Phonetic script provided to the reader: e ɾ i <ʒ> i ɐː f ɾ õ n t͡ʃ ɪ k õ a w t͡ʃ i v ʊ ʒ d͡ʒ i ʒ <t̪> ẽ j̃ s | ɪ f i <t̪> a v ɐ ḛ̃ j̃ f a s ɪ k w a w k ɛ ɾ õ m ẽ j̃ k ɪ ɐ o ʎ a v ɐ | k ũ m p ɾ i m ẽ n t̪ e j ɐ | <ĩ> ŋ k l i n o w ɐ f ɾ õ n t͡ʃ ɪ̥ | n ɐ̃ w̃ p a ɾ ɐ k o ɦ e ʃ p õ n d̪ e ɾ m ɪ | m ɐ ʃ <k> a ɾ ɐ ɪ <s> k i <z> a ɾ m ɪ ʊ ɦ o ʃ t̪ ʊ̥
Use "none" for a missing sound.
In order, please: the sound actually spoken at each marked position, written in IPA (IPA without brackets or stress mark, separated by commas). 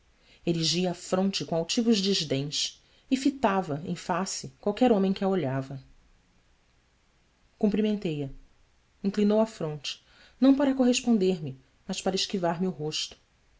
ʒ, d̪, t̪, ĩ, p, ʃ, v